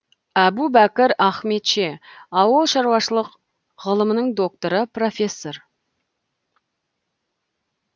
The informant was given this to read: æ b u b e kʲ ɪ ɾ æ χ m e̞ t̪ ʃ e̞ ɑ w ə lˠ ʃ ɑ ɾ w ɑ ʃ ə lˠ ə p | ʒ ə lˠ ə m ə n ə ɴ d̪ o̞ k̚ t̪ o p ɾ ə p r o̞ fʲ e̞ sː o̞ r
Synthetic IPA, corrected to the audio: æ b u b æ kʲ ɪ ɾ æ χ m e̞ t̪ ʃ e̞ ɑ w ə lˠ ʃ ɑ ɾ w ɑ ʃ ə lˠ ə q | ʁ ə lˠ ə m ə n ə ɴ d̪ o̞ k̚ t̪ o ɾ ə p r o̞ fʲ e̞ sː o̞ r